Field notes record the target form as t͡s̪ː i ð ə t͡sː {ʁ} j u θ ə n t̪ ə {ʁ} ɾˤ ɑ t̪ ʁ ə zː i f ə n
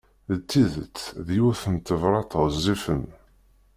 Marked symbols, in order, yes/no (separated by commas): no, no